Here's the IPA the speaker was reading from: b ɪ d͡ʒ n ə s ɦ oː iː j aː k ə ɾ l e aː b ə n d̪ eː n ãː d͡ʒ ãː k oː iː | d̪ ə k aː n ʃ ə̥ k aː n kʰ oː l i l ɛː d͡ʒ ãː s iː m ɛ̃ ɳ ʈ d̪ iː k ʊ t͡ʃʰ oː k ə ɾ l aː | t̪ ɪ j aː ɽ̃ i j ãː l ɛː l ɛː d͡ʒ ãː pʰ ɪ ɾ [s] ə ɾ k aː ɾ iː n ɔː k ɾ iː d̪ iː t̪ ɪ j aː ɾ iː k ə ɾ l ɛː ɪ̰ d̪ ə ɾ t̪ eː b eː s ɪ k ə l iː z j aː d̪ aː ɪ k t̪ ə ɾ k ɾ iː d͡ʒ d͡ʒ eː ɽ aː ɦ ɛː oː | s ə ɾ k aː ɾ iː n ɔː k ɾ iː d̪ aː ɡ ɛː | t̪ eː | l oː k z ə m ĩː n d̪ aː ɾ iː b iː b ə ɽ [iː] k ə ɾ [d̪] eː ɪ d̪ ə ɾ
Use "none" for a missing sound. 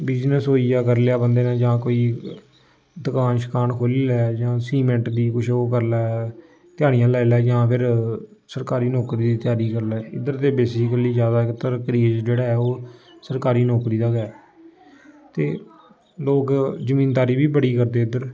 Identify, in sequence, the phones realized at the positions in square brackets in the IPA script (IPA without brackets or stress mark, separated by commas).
s, iː, d̪